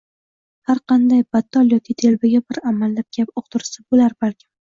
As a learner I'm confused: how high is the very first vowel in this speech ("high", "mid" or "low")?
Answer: low